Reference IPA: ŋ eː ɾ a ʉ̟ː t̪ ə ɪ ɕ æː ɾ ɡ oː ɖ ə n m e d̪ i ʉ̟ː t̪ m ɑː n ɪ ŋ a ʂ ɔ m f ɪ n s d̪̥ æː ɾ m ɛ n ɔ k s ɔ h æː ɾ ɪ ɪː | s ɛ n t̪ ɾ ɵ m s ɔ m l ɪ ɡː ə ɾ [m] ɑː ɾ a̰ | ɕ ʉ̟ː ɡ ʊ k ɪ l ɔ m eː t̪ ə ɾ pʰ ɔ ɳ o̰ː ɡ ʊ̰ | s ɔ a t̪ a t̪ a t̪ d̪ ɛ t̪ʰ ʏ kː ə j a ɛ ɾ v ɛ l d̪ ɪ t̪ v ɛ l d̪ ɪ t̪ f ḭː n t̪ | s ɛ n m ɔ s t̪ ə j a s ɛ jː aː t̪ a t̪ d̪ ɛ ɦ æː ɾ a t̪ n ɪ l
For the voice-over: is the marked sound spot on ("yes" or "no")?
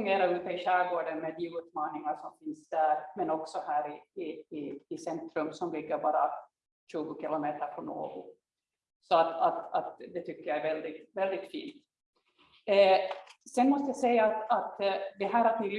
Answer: no